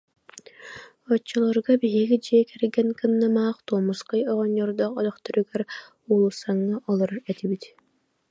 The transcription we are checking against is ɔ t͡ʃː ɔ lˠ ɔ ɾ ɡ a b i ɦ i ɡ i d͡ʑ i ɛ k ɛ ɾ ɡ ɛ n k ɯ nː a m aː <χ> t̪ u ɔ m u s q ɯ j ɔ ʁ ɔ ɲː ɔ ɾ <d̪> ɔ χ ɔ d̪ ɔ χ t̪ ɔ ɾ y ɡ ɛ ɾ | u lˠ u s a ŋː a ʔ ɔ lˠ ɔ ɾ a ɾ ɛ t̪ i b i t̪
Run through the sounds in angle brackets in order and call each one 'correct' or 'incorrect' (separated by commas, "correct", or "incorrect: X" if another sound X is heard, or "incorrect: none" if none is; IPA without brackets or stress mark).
correct, correct